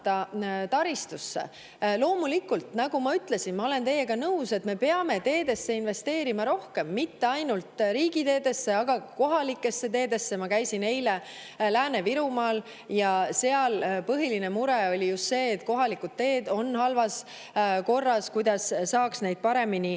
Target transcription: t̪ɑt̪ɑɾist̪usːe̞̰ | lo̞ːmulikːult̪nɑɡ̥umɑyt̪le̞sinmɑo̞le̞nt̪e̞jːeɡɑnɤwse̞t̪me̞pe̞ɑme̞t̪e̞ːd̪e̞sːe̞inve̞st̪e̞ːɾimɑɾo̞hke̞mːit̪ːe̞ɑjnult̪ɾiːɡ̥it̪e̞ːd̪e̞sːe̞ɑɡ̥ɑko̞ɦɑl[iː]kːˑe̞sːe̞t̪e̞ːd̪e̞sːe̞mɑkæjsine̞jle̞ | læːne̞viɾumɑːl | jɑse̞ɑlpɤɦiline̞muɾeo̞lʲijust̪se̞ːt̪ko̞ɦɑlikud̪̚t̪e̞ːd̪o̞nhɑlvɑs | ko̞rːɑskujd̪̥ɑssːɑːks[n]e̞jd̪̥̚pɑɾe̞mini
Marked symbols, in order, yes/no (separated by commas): no, yes